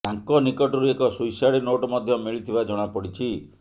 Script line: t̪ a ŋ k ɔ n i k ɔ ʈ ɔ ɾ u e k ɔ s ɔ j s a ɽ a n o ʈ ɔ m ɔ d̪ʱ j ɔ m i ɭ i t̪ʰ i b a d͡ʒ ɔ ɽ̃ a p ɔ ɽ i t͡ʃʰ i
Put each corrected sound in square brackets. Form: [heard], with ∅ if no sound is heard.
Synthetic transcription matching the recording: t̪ a ŋ k ɔ n i k ɔ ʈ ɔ ɾ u e k ɔ s [u] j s a ɽ [i] n o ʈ ɔ m ɔ d̪ʱ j ɔ m i ɭ i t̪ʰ i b a d͡ʒ ɔ ɽ̃ a p ɔ ɽ i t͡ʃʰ i